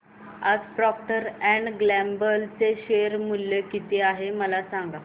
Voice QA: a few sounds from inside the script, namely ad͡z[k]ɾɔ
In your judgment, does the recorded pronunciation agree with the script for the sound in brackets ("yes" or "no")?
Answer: no